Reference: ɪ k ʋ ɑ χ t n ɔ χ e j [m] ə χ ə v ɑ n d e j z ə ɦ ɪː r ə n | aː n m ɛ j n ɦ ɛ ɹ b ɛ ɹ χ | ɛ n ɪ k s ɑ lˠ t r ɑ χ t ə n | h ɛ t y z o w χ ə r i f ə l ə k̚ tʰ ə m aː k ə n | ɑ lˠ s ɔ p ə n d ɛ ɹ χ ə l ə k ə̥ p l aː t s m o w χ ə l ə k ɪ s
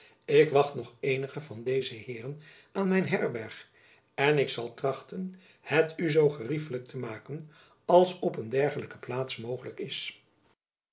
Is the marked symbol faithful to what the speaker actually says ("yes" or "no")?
no